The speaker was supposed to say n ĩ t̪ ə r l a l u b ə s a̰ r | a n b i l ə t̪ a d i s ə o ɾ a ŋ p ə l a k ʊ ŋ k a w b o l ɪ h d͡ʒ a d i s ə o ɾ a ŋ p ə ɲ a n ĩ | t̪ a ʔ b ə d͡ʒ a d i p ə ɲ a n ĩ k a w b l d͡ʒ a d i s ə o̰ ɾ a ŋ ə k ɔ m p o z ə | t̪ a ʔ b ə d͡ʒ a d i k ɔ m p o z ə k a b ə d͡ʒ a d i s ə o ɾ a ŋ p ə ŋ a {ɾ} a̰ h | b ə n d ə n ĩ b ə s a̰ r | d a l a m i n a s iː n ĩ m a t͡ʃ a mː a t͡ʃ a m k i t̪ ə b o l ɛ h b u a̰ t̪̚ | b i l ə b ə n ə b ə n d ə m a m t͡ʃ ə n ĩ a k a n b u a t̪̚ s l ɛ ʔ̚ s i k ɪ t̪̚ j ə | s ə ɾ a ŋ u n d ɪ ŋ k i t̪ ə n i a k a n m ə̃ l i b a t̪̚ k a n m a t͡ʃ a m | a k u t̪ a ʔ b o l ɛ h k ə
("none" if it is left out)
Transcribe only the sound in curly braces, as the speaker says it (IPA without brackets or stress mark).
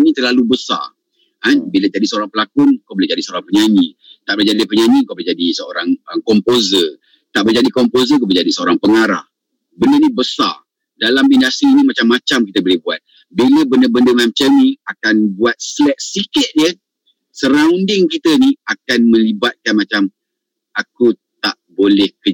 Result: ɾ